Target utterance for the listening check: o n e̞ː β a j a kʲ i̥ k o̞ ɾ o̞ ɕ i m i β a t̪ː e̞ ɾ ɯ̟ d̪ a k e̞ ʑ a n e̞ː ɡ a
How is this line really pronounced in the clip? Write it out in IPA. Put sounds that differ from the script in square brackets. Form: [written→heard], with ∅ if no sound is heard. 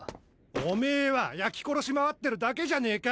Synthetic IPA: o [n→m] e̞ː β a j a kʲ i̥ k o̞ ɾ o̞ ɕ i m [i→a] β a t̪ː e̞ ɾ ɯ̟ d̪ a k e̞ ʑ a n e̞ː [ɡ→k] a